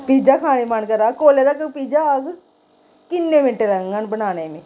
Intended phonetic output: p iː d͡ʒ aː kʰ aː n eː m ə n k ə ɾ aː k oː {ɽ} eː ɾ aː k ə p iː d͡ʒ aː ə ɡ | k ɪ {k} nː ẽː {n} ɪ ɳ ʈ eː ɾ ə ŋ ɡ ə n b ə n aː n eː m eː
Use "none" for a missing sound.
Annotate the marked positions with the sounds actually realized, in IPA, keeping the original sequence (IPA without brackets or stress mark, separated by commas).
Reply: l, none, m